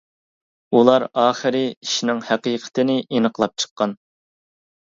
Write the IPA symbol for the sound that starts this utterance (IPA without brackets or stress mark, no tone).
u